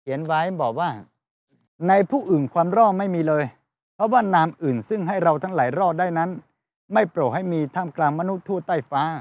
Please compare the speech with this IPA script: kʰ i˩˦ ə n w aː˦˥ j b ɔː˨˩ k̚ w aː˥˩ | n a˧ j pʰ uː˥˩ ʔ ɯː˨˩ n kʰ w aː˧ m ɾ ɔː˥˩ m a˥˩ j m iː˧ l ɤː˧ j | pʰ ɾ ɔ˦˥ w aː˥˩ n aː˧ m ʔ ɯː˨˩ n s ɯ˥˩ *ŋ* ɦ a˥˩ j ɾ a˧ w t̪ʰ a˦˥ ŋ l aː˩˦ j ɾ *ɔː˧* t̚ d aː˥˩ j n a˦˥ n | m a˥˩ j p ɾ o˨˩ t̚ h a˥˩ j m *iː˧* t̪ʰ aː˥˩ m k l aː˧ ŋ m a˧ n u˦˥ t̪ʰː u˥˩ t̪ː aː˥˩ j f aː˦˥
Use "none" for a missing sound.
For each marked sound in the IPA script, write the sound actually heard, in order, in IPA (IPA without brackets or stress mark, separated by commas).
ŋ, ɔː˥˩, iː˧